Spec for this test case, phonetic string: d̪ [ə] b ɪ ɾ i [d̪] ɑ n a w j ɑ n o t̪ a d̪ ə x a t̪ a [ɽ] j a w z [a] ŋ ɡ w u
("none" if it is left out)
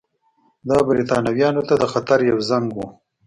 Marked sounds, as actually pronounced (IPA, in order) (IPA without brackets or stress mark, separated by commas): ɑ, t̪, ɾ, a